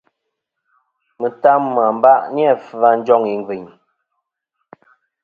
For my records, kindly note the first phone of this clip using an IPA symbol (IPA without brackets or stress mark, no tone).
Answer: m